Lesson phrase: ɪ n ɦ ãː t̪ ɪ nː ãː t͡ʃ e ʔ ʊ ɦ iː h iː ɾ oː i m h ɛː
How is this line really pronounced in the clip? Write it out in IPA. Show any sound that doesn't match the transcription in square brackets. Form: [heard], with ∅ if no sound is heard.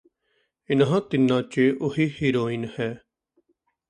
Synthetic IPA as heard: ɪ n ɦ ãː t̪ ɪ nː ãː t͡ʃ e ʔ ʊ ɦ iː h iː ɾ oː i [n] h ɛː